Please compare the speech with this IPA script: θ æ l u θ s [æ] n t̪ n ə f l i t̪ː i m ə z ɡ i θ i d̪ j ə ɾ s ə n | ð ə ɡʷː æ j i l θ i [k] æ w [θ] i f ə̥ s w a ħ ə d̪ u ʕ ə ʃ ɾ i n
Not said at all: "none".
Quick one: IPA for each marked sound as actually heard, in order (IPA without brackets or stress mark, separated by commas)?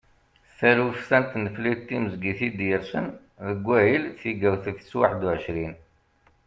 æ, ɡ, θ